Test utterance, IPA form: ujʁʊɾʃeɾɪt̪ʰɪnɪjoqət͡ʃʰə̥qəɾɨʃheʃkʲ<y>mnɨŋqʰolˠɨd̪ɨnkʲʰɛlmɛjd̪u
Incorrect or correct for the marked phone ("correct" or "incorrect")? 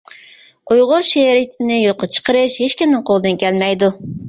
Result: incorrect